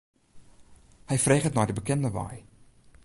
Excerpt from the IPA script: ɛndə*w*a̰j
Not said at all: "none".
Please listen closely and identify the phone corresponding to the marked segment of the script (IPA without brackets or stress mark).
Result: ʋ